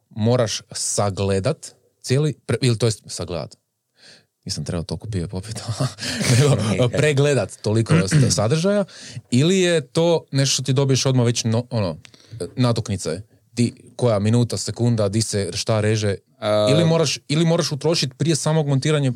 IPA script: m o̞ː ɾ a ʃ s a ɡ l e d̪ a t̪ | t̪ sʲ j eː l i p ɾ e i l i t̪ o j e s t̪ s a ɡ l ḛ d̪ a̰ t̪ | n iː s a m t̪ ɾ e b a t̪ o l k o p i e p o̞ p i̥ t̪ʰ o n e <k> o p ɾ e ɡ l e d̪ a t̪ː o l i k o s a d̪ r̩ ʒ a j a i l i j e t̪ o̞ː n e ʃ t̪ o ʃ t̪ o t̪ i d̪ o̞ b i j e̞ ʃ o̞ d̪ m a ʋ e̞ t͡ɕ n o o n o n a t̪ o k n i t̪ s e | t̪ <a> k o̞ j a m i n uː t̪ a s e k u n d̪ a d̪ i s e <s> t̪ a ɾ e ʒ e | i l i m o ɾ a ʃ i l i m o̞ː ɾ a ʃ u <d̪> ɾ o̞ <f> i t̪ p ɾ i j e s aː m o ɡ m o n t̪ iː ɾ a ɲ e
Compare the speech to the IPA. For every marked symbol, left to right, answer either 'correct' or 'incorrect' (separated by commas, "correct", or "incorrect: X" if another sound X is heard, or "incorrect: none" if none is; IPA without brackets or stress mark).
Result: incorrect: ɡ, incorrect: i, incorrect: ʃ, incorrect: t̪, incorrect: ʃ